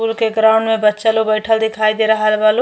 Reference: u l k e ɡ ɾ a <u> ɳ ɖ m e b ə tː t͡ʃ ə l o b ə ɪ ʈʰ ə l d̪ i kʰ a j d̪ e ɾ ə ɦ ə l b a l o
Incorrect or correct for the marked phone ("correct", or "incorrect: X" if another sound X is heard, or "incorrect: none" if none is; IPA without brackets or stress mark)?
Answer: incorrect: ʊ